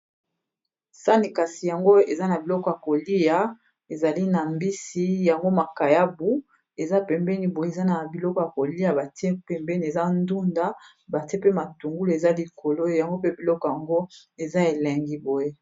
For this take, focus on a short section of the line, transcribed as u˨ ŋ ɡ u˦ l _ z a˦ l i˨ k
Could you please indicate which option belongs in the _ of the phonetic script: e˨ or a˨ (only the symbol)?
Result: e˨